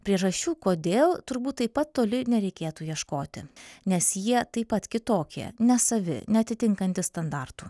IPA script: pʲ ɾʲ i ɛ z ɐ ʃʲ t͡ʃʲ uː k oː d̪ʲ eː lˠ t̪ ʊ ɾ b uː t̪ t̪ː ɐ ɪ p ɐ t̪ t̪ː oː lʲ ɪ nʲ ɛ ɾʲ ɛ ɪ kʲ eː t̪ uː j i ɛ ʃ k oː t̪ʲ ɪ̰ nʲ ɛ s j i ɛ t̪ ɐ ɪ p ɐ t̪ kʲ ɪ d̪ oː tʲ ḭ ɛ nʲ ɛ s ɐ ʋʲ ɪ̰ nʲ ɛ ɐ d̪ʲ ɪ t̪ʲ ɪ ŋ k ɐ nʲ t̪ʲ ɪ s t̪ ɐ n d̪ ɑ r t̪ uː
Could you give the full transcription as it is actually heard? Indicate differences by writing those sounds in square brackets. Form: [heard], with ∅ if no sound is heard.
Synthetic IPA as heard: pʲ ɾʲ i ɛ [ʒ] ɐ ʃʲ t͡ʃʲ uː k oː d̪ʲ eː lˠ t̪ ʊ ɾ b uː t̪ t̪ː ɐ ɪ p ɐ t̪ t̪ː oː lʲ ɪ nʲ ɛ ɾʲ ɛ ɪ kʲ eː t̪ uː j i ɛ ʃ k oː t̪ʲ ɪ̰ nʲ ɛ s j i ɛ t̪ ɐ ɪ p ɐ t̪ kʲ ɪ [t̪] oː [kʲ] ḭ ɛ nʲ ɛ s ɐ ʋʲ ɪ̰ nʲ ɛ ɐ [t̪ʲ] ɪ t̪ʲ ɪ ŋ k ɐ nʲ t̪ʲ ɪ s t̪ ɐ n d̪ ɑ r t̪ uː